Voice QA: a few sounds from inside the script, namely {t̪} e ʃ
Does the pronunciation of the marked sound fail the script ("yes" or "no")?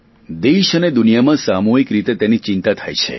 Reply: yes